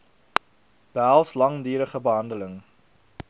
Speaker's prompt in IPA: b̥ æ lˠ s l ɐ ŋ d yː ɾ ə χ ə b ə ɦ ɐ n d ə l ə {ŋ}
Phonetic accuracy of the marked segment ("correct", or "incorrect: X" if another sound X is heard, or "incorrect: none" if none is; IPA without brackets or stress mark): correct